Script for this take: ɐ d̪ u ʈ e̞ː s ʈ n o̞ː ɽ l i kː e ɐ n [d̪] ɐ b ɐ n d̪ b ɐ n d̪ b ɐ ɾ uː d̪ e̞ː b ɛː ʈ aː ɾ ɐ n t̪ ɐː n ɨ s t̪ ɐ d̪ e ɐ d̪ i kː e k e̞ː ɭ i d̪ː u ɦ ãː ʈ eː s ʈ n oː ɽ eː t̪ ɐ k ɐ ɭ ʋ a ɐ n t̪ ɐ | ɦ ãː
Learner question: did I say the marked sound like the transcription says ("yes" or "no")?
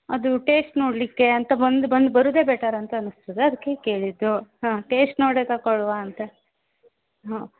no